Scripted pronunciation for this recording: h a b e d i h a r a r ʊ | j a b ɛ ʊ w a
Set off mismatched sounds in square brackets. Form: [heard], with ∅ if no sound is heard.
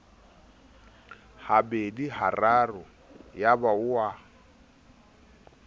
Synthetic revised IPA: h a b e d i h a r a r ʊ | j a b [a] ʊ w a